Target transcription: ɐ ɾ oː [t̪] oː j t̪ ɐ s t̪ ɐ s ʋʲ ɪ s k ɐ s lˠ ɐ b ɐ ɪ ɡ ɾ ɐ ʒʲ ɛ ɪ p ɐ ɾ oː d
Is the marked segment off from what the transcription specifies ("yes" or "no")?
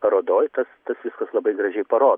yes